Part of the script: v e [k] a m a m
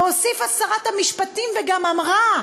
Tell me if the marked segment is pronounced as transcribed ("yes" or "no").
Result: no